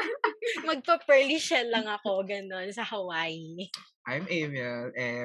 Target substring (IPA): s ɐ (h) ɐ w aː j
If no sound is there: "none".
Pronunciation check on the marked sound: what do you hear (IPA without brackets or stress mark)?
h